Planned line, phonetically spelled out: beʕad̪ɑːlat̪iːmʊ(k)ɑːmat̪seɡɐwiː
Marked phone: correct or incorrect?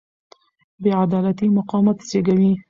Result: incorrect